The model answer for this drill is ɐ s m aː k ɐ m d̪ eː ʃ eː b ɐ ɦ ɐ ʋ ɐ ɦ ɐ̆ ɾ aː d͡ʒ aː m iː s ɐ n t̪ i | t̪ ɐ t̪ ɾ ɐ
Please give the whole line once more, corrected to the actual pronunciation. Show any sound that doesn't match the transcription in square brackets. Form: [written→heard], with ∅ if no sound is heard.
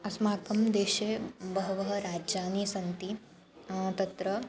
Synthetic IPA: ɐ s m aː k ɐ m d̪ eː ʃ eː b ɐ ɦ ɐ ʋ ɐ ɦ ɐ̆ ɾ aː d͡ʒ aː [m→n] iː s ɐ n t̪ i | t̪ ɐ t̪ ɾ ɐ